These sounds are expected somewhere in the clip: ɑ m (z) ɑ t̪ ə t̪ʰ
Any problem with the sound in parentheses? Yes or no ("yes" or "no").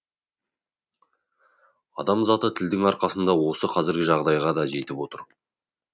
no